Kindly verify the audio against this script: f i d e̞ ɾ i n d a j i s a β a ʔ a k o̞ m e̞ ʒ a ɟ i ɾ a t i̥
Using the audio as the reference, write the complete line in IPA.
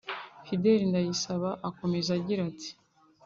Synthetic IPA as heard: f i d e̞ ɾ i n d a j i s a β a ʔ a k o̞ m e̞ z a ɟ i ɾ a t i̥